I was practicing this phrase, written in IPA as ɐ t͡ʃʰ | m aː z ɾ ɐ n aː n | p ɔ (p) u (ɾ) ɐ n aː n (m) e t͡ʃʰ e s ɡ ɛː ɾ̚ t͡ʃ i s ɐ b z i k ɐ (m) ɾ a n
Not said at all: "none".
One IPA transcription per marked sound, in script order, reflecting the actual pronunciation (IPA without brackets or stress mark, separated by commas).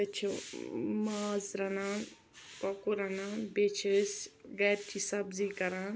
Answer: k, ɾ, b, none